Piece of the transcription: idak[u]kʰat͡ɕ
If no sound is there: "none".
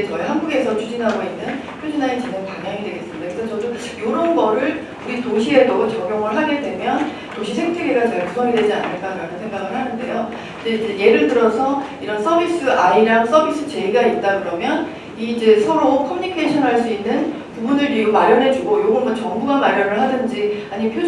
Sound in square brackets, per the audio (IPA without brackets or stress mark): ɯ